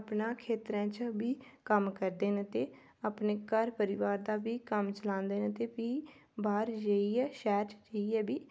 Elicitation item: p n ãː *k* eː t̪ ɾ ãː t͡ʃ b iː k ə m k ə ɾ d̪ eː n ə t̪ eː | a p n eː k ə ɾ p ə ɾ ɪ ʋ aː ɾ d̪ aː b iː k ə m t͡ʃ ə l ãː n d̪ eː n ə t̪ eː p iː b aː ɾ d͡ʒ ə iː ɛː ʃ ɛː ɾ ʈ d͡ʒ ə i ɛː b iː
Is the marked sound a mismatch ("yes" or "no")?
yes